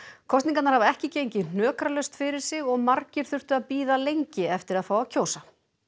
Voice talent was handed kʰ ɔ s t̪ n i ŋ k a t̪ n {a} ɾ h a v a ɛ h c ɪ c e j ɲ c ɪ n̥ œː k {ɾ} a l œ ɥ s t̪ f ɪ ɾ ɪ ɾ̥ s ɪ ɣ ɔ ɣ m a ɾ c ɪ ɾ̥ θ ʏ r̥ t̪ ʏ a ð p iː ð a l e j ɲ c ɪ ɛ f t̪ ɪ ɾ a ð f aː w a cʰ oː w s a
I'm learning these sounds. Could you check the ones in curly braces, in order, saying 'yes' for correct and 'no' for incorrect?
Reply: yes, yes

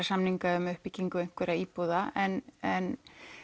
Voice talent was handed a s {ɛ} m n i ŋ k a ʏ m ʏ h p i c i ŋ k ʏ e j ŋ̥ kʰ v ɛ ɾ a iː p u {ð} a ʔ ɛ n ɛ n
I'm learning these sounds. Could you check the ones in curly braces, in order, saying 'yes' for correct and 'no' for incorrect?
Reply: no, yes

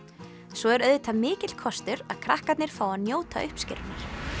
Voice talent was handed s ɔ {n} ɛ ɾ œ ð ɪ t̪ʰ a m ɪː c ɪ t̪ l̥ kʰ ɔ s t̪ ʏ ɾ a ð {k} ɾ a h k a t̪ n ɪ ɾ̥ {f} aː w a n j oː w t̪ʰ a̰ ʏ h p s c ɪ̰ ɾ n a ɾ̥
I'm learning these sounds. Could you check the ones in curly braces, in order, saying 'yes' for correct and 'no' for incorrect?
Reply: no, no, yes

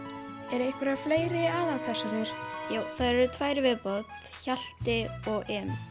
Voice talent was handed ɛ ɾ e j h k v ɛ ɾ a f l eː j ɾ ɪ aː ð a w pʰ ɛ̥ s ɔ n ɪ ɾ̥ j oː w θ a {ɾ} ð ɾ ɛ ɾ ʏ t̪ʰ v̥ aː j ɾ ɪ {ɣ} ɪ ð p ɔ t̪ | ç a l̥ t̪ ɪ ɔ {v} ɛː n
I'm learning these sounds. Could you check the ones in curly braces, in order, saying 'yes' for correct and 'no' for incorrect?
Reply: no, no, no

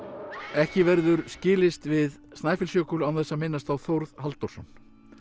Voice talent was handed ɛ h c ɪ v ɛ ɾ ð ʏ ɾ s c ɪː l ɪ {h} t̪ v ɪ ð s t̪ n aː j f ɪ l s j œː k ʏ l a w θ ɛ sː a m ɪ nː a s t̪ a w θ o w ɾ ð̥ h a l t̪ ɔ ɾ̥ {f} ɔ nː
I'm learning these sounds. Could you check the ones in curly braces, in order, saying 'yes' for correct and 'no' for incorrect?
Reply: no, no

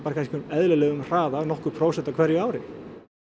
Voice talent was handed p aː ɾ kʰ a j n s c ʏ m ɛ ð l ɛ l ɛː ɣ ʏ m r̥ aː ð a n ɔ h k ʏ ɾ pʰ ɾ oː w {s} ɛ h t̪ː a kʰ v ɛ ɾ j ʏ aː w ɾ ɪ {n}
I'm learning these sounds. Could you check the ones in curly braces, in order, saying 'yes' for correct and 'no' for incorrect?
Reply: yes, no

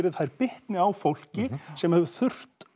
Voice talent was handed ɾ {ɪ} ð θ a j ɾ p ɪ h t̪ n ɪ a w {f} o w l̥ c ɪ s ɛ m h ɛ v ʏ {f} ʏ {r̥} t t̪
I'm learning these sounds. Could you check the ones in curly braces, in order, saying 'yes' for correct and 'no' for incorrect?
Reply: yes, yes, no, yes

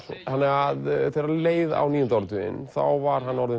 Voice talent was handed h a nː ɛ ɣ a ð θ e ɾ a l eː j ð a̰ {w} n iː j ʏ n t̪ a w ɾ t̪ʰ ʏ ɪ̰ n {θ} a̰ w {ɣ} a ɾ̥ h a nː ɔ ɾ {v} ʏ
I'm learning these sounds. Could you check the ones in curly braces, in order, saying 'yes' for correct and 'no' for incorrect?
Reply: yes, yes, no, no

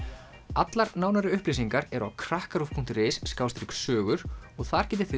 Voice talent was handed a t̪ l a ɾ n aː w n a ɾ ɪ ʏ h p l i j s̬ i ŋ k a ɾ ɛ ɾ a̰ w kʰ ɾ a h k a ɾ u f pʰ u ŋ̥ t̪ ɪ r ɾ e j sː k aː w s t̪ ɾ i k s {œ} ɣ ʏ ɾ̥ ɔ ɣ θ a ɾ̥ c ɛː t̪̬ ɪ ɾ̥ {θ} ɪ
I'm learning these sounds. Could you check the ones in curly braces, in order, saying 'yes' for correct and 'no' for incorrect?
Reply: no, yes

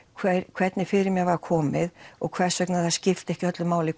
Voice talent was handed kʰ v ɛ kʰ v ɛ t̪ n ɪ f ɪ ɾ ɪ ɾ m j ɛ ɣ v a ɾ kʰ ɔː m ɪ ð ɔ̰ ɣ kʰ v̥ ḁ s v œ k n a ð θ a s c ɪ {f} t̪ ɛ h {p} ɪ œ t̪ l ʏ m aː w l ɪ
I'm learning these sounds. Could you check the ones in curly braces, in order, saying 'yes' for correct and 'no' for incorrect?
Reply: yes, no

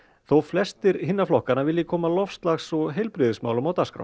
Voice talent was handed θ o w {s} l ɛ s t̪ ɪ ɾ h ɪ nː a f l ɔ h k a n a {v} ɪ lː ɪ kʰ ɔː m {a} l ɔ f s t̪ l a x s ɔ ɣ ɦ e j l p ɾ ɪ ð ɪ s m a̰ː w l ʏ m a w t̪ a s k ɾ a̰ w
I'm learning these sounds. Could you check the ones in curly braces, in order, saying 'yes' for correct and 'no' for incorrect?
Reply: no, yes, yes

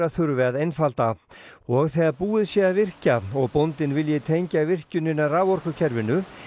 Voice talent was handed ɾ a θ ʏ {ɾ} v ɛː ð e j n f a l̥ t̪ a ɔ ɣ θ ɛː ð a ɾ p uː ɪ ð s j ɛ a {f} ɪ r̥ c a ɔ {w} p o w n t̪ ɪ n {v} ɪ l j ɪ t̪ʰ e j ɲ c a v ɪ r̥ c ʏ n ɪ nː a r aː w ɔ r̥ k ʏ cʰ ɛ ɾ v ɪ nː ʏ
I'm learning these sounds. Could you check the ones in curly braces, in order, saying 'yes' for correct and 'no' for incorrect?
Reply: yes, no, no, yes

